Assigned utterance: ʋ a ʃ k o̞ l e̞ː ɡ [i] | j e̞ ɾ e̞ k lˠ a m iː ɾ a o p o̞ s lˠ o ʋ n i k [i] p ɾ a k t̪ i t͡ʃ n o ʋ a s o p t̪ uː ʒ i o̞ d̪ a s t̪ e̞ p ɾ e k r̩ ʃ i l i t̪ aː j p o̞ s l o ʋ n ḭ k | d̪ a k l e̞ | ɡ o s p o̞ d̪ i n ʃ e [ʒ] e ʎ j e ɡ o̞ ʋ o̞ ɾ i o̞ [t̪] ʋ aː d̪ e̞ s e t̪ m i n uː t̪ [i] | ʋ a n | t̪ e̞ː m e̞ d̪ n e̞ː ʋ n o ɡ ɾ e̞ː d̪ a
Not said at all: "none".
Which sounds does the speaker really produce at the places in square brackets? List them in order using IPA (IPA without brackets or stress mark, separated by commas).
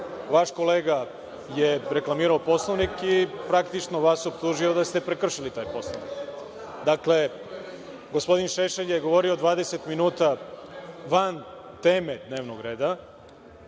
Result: a, i, ʃ, d̪, a